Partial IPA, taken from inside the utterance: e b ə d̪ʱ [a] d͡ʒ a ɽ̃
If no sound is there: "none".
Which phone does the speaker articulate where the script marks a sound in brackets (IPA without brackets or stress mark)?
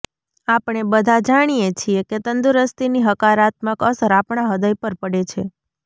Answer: a